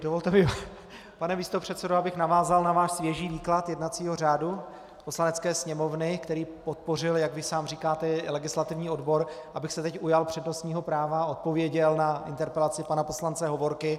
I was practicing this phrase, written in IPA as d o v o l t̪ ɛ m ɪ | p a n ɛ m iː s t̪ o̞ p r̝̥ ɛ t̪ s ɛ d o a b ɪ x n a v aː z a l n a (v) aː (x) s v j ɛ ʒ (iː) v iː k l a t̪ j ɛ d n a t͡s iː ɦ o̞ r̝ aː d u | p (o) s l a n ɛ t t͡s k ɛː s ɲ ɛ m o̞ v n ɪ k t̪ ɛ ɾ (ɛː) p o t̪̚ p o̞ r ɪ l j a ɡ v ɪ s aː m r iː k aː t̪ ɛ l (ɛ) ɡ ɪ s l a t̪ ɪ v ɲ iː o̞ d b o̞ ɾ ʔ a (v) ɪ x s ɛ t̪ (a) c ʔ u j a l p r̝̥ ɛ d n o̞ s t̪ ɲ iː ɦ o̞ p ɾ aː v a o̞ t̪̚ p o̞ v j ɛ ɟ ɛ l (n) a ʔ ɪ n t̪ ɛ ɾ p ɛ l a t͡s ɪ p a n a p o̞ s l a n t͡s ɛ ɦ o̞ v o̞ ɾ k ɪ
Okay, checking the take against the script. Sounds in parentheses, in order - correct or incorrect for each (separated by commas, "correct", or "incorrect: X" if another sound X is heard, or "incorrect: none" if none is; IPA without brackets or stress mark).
correct, incorrect: ʃ, correct, correct, incorrect: iː, correct, incorrect: b, incorrect: ɛ, correct